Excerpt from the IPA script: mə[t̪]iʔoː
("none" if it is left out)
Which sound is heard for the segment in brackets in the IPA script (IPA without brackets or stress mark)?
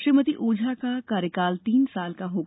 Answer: t̪